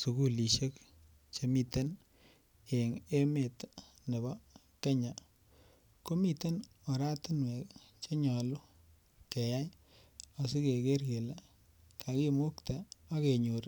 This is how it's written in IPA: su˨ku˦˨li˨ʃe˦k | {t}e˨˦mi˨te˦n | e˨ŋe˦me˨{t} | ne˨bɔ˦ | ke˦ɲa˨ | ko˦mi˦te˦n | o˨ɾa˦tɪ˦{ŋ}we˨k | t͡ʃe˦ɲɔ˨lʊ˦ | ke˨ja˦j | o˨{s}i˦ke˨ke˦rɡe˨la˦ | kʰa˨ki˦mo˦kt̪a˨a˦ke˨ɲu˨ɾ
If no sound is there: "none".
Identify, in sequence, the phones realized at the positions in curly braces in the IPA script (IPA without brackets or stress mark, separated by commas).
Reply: t͡ʃ, t, n, s